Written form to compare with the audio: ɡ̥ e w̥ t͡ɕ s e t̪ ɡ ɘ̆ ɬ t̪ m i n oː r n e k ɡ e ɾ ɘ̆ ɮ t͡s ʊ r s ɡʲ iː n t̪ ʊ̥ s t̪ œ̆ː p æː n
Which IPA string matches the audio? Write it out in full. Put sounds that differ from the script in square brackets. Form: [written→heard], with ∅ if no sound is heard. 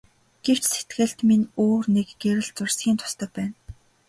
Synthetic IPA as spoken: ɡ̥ e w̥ t͡ɕ s e t̪ ɡ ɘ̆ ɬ t̪ m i n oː r n e k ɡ e ɾ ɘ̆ ɮ t͡s ʊ r s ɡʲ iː n [t̪→t̪ʰ] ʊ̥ s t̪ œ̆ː p æː n